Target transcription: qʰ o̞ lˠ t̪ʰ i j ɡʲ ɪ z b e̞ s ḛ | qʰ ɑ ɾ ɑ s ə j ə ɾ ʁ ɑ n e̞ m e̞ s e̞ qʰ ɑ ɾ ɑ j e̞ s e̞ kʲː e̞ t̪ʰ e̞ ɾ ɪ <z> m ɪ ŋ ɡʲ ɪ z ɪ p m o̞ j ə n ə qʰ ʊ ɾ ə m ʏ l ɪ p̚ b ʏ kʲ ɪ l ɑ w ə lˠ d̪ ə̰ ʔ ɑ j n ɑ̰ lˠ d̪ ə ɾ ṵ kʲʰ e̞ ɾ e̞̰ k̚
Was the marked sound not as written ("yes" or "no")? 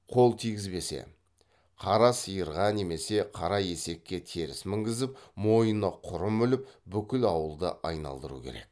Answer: yes